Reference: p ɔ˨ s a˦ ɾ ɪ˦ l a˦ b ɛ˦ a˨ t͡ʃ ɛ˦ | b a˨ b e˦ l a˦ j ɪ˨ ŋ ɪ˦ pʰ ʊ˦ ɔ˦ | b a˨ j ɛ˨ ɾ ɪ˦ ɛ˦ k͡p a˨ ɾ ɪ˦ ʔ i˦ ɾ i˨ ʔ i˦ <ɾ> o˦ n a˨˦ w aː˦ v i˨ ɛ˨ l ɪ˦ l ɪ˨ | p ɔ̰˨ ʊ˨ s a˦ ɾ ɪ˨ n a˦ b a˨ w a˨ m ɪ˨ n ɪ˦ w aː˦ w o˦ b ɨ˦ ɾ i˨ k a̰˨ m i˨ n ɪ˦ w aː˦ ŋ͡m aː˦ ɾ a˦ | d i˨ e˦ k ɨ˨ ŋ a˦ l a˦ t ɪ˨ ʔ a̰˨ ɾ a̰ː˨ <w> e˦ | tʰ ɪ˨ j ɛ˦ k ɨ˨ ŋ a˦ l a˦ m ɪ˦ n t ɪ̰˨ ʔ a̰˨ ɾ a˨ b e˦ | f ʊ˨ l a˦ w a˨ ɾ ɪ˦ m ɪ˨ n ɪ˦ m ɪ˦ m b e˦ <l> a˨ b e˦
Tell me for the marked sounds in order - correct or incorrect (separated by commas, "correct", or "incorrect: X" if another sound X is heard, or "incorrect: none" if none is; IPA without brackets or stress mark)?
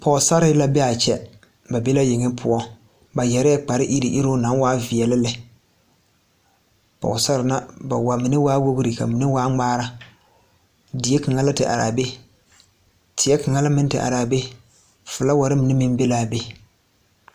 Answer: correct, incorrect: b, correct